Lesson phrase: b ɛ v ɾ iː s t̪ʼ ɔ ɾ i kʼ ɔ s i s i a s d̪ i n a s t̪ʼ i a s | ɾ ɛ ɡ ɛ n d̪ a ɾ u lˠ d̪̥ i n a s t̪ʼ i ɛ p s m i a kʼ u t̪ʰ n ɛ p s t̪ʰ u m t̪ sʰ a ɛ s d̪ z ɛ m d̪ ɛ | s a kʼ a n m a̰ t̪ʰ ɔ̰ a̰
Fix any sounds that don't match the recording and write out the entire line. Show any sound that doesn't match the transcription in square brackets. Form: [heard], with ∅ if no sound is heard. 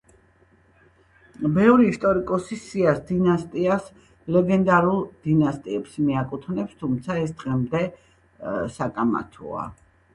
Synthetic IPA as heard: b ɛ v ɾ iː s t̪ʼ ɔ ɾ i kʼ ɔ s i s i a s d̪ i n a s t̪ʼ i a s | [l] ɛ ɡ ɛ n d̪ a ɾ u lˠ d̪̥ i n a s t̪ʼ i ɛ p s m i a kʼ u t̪ʰ n ɛ p s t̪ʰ u m t̪ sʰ a ɛ s d̪ [ʁ] ɛ m d̪ ɛ | s a kʼ a [∅] m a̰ t̪ʰ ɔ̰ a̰

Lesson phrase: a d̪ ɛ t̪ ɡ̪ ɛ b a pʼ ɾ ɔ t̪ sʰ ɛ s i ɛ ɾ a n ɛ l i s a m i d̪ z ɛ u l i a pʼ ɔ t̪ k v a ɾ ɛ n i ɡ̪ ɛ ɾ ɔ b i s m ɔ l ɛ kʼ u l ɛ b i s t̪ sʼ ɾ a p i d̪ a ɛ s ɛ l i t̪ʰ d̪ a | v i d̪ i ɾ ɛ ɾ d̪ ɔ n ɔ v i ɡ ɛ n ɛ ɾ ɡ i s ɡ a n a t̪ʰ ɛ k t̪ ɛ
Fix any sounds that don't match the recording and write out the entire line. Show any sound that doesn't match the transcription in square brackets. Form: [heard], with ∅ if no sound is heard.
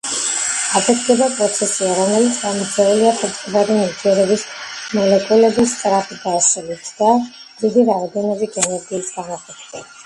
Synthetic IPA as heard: a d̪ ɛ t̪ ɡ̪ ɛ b a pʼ ɾ ɔ t̪ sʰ ɛ s i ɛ ɾ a n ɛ l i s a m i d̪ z ɛ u l i a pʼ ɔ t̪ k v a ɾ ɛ n i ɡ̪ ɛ ɾ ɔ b i s m ɔ l ɛ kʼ u l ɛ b i s t̪ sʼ ɾ a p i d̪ a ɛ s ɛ l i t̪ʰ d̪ a | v i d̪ i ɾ [a] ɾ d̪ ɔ n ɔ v i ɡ ɛ n ɛ ɾ ɡ [iː] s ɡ a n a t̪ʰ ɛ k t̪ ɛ

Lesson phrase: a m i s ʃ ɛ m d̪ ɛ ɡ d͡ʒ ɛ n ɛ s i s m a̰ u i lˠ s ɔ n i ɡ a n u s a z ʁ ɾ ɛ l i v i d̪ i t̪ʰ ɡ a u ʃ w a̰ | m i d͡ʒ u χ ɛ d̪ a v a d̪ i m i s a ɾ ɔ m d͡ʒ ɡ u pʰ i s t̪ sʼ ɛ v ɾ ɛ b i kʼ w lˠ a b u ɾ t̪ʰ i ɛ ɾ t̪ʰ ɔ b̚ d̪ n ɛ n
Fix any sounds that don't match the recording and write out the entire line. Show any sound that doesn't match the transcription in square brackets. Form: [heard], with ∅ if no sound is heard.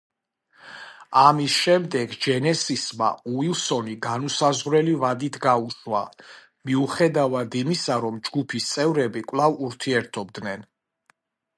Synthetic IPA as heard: a m i s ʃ ɛ m d̪ ɛ ɡ d͡ʒ ɛ n ɛ s i s m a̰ u i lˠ s ɔ n i ɡ a n u s a z ʁ ɾ ɛ l i v [a] d̪ i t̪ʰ ɡ a u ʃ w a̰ | m i [∅] u χ ɛ d̪ a v a d̪ i m i s a ɾ ɔ m d͡ʒ ɡ u pʰ i s t̪ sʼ ɛ v ɾ ɛ b i kʼ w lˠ a [v] u ɾ t̪ʰ i ɛ ɾ t̪ʰ ɔ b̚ d̪ n ɛ n

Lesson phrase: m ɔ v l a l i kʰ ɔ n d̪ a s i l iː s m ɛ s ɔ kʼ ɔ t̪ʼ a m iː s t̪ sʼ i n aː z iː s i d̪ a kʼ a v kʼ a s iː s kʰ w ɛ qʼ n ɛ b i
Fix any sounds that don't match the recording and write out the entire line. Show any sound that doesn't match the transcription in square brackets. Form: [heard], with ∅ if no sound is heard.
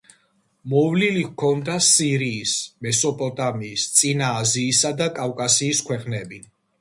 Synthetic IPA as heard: m ɔ v l [i] l i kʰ ɔ n d̪ a s i [ɾ] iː s m ɛ s ɔ [pʼ] ɔ t̪ʼ a m iː s t̪ sʼ i n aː z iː s [a] d̪ a kʼ a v kʼ a s iː s kʰ w ɛ qʼ n ɛ b i

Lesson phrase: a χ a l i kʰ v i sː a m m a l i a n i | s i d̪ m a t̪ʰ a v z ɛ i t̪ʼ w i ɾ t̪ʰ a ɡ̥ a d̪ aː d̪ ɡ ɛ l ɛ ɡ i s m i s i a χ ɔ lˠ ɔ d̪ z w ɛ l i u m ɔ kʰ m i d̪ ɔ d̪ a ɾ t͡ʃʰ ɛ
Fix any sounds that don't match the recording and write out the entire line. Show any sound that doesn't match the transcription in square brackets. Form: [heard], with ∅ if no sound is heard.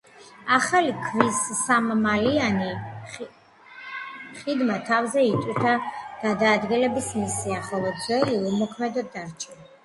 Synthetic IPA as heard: a χ a l i kʰ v i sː a m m a l i a n i | [χ] i d̪ m a t̪ʰ a v z ɛ i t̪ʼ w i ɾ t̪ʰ a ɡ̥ a d̪ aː d̪ ɡ ɛ l ɛ [b] i s m i s i a χ ɔ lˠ ɔ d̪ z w ɛ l i u m ɔ kʰ m [ɛ] d̪ ɔ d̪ a ɾ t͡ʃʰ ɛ

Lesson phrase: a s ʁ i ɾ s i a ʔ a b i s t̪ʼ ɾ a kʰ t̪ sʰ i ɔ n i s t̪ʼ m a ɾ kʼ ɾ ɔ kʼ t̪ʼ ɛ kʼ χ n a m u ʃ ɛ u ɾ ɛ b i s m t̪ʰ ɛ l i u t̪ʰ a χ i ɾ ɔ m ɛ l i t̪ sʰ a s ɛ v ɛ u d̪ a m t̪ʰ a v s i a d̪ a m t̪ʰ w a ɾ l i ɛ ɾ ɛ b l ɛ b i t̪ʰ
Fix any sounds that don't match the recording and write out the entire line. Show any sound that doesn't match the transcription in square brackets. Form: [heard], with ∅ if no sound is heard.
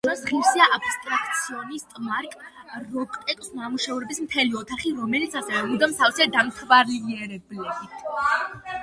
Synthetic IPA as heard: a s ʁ i ɾ s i a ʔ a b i s t̪ʼ ɾ a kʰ t̪ sʰ i ɔ n i s t̪ʼ m a ɾ kʼ ɾ ɔ kʼ t̪ʼ ɛ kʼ [s] n a m u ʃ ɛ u ɾ ɛ b i s m t̪ʰ ɛ l i [ɔ] t̪ʰ a χ i ɾ ɔ m ɛ l i t̪ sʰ a s ɛ v ɛ u d̪ a m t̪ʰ a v s i a d̪ a m t̪ʰ [v] a ɾ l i ɛ ɾ ɛ b l ɛ b i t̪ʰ

